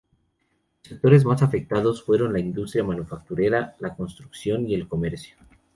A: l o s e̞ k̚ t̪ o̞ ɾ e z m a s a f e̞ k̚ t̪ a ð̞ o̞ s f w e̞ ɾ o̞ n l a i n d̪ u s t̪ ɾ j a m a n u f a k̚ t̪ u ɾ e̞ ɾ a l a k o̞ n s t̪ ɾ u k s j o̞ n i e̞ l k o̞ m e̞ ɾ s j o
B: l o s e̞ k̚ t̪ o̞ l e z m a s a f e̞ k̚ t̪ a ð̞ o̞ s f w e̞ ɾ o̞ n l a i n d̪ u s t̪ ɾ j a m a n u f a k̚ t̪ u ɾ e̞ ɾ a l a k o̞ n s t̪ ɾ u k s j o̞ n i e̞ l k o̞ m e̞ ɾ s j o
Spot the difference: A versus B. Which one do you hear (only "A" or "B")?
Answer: A